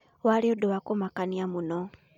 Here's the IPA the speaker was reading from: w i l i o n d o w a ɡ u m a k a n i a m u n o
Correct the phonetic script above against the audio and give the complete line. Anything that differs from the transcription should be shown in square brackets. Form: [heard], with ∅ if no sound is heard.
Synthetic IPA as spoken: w [a] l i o [∅] d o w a [k] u m a k a n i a m u n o